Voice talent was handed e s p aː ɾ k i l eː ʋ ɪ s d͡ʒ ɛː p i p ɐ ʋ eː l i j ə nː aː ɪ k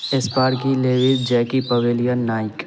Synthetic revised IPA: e s p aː ɾ k i l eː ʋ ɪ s d͡ʒ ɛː k i p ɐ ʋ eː l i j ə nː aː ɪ k